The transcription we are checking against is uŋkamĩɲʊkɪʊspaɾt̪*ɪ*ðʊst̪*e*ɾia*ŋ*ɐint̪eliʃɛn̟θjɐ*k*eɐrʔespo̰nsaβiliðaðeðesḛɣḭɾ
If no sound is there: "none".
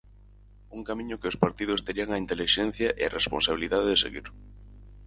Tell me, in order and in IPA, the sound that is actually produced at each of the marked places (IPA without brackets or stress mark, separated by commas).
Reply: i, e, ŋ, ʔ